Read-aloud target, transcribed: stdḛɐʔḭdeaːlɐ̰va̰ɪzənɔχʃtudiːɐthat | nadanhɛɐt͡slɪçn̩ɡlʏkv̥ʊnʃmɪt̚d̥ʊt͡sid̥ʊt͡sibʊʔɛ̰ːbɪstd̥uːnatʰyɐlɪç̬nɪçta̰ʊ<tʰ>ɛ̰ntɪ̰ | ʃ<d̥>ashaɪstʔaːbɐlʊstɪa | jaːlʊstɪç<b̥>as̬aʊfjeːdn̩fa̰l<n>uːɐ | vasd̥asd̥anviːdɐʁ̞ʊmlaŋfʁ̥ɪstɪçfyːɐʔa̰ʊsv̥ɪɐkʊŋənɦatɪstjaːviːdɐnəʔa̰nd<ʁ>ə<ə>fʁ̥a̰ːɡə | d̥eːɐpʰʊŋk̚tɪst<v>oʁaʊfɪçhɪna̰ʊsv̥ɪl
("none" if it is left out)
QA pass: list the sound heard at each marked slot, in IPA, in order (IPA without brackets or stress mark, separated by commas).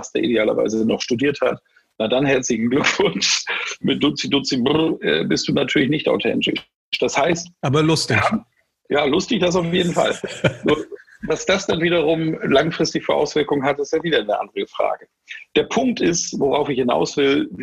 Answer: tʰ, d̥, d̥, n, ʁ, ə, v